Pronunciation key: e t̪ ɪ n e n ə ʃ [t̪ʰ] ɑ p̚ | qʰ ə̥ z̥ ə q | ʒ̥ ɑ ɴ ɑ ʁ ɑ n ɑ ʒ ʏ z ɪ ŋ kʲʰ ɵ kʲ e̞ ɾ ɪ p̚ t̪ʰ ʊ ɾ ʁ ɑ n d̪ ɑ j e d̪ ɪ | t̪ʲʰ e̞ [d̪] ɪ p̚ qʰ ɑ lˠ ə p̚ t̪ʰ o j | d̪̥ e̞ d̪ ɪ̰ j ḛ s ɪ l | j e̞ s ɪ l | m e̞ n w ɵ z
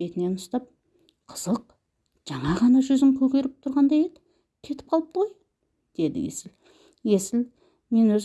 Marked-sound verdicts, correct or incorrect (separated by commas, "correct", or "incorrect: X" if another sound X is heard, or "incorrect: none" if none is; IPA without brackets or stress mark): incorrect: t̪, incorrect: t̪